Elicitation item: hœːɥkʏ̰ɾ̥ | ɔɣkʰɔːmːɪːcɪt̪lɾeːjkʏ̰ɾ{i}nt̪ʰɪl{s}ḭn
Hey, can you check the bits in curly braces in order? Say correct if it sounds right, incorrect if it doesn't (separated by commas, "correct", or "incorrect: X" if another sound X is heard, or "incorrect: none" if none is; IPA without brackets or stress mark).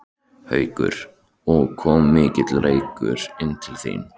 incorrect: ɪ, incorrect: θ